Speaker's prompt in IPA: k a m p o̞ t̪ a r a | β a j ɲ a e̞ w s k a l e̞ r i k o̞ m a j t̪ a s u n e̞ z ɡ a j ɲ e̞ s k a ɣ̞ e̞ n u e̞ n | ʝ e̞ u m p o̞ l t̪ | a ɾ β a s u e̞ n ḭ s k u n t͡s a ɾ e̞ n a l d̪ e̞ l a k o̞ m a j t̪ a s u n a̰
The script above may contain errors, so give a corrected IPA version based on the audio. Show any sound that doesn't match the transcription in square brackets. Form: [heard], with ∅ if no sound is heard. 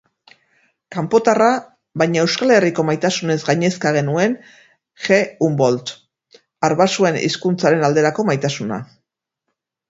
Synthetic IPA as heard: k a m p o̞ t̪ a r a | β a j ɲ a e̞ w s k a l e̞ r i k o̞ m a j t̪ a s u n e̞ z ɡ a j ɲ e̞ s k a ɣ̞ e̞ n u e̞ n | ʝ e̞ u m [b] o̞ l t̪ | a ɾ β a s u e̞ n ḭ s k u n t͡s a ɾ e̞ n a l d̪ e̞ [ɾ] a k o̞ m a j t̪ a s u n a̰